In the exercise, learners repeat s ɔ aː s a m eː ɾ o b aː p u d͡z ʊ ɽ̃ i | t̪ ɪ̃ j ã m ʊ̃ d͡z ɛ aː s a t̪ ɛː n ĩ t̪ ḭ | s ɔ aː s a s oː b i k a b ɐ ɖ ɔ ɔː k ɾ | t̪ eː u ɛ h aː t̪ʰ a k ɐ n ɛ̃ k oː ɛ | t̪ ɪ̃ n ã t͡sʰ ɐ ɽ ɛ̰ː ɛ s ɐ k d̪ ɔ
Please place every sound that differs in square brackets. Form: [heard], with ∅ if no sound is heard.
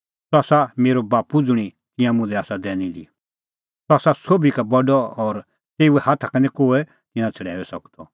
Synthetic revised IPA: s ɔ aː s a m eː ɾ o b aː p u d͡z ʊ ɽ̃ i | t̪ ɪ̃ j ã m ʊ̃ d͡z ɛ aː s a [d̪] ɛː n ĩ [d̪] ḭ | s ɔ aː s a s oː b i k a b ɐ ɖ ɔ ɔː [∅] ɾ | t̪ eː u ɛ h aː t̪ʰ a k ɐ n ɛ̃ k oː ɛ | t̪ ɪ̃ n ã t͡sʰ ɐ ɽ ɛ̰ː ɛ s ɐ k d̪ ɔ